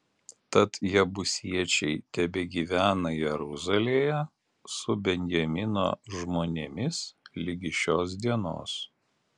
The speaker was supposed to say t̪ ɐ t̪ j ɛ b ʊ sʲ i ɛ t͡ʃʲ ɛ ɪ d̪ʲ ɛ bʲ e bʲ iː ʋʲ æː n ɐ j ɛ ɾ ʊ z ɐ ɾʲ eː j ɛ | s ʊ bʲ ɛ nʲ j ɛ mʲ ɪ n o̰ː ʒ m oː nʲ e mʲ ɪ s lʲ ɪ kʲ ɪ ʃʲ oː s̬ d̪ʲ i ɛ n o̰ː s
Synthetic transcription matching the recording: t̪ ɐ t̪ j ɛ b ʊ sʲ i ɛ t͡ʃʲ ɛ ɪ t̪ʲ ɛ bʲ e ɡʲ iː ʋʲ æː n ɐ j ɛ ɾ ʊ z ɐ lʲ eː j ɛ | s ʊ bʲ ɛ nʲ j ɛ mʲ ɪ n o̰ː ʒ m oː nʲ e mʲ ɪ s lʲ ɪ ɡʲ ɪ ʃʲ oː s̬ d̪ʲ i ɛ n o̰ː s